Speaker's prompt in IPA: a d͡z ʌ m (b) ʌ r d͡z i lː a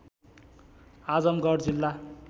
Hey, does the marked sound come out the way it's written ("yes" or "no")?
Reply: no